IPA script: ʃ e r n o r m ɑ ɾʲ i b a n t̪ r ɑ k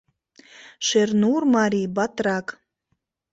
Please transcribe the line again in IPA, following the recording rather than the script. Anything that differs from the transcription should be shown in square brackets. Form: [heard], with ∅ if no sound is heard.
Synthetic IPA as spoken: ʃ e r n [u] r m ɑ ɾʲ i b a [∅] t̪ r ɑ k